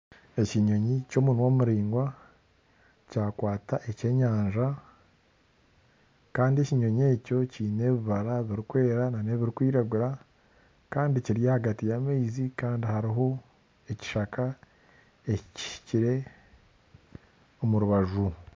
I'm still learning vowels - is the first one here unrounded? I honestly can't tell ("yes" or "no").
yes